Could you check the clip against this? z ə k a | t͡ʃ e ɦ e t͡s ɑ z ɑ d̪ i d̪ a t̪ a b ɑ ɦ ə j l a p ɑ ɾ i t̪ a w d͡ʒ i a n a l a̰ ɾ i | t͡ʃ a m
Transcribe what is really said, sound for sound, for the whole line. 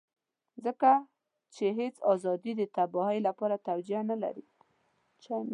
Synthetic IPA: z ə k a | t͡ʃ e ɦ e t͡s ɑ z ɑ d̪ i d̪ ə t̪ a b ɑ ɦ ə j l a p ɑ ɾ a t̪ a w d͡ʒ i a n a l a̰ ɾ i | t͡ʃ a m